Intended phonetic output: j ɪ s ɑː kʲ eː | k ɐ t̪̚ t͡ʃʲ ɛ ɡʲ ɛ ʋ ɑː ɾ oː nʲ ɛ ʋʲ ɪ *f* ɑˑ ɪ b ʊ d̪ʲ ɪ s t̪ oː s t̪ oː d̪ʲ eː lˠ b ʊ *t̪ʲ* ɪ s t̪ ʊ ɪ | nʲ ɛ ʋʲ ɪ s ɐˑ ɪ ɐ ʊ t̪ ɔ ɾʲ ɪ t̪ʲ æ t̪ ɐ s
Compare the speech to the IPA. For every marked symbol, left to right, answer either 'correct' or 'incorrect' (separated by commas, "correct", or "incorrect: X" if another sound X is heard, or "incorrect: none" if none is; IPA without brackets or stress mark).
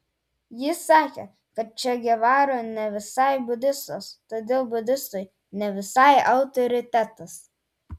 incorrect: s, incorrect: d̪ʲ